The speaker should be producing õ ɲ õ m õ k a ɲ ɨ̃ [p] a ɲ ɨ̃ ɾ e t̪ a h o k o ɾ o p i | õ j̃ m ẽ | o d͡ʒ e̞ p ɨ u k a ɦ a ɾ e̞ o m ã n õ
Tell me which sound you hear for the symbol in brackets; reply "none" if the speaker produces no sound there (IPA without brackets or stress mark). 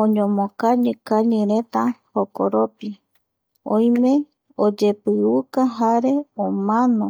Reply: k